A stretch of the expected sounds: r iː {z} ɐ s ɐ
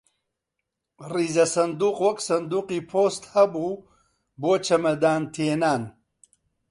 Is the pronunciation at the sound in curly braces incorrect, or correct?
correct